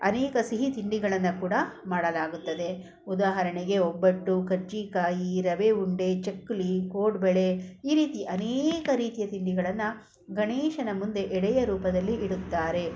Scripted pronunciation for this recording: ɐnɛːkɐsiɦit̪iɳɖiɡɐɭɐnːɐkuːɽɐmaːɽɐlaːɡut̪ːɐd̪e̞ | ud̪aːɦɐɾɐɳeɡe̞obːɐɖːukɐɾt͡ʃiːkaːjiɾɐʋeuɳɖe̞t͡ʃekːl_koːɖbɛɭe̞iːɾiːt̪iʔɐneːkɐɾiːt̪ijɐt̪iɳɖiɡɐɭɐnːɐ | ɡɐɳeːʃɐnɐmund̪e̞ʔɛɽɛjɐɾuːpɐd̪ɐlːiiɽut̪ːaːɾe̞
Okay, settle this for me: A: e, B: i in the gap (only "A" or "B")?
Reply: B